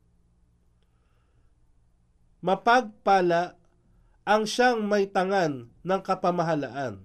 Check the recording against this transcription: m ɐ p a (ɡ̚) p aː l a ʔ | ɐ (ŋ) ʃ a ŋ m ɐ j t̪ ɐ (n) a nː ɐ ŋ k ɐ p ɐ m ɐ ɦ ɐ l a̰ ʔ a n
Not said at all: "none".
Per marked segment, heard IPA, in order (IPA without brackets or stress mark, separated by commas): ɡ̚, ŋ, ŋ